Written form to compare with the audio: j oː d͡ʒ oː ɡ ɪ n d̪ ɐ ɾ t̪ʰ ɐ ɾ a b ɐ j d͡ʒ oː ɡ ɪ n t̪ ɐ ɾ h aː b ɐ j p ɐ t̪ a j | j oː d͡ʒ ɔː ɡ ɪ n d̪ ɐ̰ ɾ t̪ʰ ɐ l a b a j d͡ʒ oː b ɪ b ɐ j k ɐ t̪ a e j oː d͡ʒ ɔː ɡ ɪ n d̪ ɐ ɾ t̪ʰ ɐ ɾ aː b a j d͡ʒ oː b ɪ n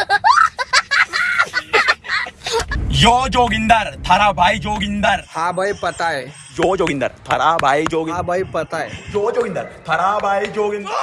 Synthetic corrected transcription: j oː d͡ʒ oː ɡ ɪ n d̪ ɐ ɾ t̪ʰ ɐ ɾ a b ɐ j d͡ʒ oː ɡ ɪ n d̪ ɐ ɾ h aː b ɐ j p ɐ t̪ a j | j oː d͡ʒ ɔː ɡ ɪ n d̪ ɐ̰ ɾ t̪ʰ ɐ ɾ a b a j d͡ʒ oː ɡ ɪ b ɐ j p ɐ t̪ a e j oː d͡ʒ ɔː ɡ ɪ n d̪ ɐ ɾ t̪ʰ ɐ ɾ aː b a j d͡ʒ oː ɡ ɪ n